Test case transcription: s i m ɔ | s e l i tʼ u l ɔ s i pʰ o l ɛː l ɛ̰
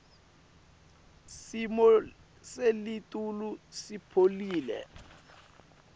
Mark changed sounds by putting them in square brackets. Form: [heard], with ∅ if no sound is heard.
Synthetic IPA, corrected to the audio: s i m ɔ | s e l i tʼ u l [u] s i pʰ o l [iː] l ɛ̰

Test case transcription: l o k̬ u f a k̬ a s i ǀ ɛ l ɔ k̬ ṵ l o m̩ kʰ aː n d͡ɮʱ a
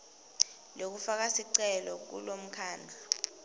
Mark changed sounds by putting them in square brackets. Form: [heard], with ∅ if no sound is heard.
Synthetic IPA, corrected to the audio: l o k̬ u f a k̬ a s i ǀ ɛ l ɔ k̬ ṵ l o m̩ kʰ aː n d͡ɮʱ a

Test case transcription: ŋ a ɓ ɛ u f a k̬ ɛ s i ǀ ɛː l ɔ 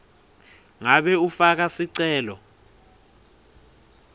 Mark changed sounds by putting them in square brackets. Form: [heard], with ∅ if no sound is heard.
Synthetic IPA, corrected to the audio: ŋ a ɓ ɛ u f a k̬ [a] s i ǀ ɛː l ɔ

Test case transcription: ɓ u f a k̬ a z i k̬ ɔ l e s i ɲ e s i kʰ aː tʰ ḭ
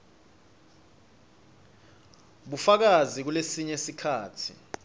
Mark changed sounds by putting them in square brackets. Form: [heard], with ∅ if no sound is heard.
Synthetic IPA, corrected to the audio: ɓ u f a k̬ a z i k̬ [u] l e s i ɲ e s i kʰ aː tʰ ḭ

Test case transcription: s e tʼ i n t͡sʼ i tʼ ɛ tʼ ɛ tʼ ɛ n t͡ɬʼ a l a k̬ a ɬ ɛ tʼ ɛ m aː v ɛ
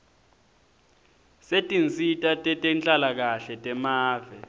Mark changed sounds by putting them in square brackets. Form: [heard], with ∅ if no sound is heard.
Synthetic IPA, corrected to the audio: s e tʼ i n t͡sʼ i tʼ [a] tʼ ɛ tʼ ɛ n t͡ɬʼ a l a k̬ a ɬ ɛ tʼ ɛ m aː v ɛ

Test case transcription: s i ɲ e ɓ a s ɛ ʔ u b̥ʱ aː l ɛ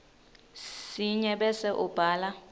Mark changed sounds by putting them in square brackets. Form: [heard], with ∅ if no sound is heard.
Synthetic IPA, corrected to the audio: s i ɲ [ɛ] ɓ [ɛ] s ɛ ʔ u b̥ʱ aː l [a]

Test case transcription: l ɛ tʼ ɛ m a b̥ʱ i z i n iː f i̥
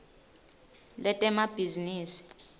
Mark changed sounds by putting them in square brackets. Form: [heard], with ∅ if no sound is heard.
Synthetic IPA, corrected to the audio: l ɛ tʼ ɛ m a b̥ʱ i z i n iː [s] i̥

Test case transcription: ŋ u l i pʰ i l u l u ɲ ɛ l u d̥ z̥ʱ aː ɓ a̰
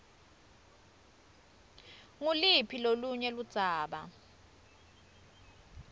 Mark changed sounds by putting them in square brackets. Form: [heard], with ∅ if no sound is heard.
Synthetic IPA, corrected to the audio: ŋ u l i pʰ i l [o] l u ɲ ɛ l u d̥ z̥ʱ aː ɓ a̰

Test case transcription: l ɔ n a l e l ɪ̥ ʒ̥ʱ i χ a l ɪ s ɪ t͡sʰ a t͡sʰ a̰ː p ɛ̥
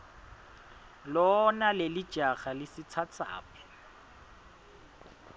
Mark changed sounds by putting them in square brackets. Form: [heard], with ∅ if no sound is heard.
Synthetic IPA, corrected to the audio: l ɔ n a l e l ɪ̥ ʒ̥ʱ [a] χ a l ɪ s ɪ t͡sʰ a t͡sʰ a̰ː p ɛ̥

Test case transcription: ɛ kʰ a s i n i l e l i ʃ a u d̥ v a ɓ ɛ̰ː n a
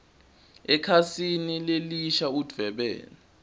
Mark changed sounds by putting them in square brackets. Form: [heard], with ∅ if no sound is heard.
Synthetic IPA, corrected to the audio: ɛ kʰ a s i n i l e l i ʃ a u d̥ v [ɛ] ɓ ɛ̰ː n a

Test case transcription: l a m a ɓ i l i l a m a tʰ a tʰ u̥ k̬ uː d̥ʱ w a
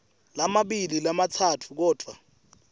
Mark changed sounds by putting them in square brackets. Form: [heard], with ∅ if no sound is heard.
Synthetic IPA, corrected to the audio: l a m a ɓ i l i l a m a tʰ a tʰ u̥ k̬ [ɔː] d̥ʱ w a

